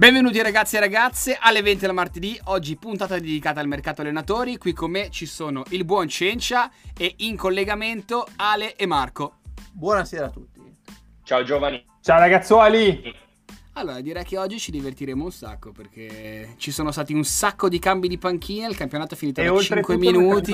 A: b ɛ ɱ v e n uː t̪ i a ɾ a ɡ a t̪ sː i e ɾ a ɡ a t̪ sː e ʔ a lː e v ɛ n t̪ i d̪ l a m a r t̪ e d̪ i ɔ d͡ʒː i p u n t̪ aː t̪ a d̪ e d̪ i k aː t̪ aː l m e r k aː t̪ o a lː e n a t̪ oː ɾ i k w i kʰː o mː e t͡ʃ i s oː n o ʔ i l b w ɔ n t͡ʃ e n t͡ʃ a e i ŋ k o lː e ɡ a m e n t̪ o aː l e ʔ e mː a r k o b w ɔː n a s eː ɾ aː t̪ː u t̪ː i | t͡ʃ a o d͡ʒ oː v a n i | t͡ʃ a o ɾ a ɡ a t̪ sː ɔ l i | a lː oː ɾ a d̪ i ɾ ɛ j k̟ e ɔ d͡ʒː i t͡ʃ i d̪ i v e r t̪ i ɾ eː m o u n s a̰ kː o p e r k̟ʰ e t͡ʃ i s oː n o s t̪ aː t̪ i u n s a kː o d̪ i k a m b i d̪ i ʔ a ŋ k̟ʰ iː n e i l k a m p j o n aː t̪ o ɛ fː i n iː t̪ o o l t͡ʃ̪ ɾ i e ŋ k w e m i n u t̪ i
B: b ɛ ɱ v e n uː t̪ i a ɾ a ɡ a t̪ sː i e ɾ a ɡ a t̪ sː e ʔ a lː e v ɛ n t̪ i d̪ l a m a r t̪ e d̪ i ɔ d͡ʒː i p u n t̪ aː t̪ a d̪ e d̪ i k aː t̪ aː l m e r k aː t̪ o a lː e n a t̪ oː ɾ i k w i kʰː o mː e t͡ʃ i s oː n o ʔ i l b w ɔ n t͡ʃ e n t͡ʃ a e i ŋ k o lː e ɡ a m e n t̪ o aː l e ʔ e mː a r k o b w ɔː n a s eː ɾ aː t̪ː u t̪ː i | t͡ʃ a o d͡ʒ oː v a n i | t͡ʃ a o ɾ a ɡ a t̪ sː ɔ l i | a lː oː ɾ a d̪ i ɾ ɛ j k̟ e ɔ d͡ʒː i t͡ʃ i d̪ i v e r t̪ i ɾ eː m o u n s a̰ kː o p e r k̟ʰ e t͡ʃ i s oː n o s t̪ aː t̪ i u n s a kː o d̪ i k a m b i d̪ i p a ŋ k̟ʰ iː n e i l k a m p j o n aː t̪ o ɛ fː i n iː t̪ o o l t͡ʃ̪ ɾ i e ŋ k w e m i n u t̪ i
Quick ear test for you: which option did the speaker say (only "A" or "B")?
B